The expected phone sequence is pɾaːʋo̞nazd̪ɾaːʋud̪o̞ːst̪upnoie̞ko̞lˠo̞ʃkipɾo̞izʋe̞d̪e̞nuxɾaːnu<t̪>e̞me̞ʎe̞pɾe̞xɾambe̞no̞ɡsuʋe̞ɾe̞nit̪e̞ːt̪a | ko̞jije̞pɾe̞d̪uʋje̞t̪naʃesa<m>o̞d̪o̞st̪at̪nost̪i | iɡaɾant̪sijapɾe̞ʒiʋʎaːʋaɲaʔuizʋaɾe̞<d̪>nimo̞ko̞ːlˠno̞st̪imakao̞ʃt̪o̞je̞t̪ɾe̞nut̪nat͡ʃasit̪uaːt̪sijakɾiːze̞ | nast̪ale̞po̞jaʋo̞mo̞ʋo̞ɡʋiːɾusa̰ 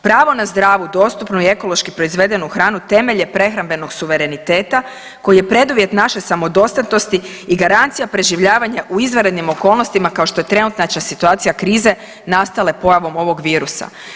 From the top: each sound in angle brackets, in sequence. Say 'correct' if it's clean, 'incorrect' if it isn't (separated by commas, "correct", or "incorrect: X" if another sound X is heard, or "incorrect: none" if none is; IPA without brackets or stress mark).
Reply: correct, correct, correct